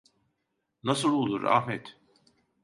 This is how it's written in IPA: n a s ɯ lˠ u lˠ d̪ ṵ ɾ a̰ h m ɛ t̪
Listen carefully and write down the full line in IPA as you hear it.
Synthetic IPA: n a s ɯ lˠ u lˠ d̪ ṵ ɾ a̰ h m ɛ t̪